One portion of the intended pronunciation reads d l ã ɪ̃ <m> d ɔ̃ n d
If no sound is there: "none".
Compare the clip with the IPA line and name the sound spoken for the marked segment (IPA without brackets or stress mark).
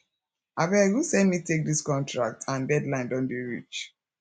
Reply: n